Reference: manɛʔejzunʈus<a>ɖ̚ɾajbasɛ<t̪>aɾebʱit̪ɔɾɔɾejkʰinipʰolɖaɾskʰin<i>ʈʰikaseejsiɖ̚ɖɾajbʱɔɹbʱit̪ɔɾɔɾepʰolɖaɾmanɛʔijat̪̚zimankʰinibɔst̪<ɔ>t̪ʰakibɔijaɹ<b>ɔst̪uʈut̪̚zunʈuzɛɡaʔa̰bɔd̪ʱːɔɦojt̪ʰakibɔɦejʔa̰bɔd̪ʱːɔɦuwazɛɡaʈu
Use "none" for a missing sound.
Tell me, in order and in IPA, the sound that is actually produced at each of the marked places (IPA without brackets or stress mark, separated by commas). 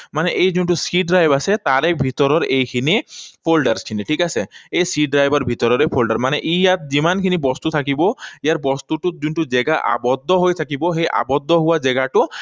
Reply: i, t̪, i, u, b